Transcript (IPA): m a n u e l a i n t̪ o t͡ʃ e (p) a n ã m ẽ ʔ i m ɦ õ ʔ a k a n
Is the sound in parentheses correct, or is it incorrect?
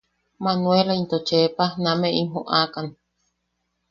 correct